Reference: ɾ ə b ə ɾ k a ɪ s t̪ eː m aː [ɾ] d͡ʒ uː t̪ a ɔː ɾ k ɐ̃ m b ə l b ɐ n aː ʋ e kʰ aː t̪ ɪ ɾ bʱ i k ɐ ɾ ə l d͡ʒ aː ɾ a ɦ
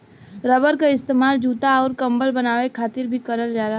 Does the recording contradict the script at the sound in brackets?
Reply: yes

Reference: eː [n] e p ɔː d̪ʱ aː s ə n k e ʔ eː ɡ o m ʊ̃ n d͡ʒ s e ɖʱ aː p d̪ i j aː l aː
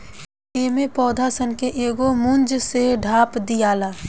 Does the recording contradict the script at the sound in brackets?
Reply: yes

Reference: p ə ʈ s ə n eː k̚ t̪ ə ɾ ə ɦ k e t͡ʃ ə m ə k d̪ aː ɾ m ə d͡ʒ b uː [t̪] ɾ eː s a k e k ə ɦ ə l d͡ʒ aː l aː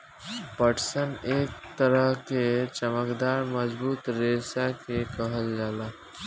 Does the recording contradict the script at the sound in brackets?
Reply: no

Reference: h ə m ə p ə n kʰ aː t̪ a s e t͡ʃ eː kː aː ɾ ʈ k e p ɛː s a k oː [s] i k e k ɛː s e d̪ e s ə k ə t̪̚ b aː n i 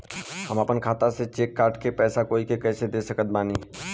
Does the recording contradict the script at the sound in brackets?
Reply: yes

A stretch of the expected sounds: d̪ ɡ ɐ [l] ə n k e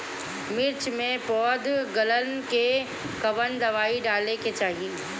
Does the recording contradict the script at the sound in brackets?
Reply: no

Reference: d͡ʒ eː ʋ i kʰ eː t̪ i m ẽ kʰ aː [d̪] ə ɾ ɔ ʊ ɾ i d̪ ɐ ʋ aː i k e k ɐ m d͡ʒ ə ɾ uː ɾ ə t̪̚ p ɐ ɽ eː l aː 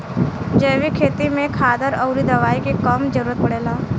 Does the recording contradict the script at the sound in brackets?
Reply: no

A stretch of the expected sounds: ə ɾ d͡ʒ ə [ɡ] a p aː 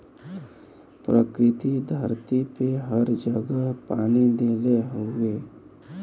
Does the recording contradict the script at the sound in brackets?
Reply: no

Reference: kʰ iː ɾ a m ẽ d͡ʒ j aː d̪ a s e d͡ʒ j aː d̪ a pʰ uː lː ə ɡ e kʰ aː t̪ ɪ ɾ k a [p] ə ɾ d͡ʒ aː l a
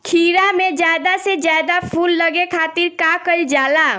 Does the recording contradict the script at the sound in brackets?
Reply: yes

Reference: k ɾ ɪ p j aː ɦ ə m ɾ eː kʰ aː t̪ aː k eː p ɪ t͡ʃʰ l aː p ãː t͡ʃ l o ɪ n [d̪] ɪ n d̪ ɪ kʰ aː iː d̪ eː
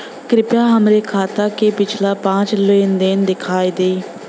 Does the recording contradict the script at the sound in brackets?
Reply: no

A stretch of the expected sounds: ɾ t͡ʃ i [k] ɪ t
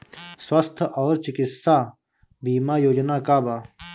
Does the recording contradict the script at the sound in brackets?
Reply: no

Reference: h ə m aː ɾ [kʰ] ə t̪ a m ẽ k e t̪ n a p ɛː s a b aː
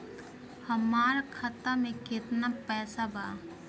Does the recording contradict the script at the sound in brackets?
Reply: no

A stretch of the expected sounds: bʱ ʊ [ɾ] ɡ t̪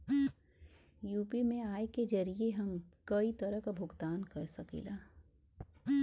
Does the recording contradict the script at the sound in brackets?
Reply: yes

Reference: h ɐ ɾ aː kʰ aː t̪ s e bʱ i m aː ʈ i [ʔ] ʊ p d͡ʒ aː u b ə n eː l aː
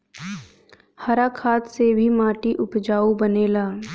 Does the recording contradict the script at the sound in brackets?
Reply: no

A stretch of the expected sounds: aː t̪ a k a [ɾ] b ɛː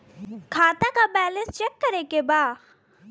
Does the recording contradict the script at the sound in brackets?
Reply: yes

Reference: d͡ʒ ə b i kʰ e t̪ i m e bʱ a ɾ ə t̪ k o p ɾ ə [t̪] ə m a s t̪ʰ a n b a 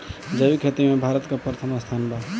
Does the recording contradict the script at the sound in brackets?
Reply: yes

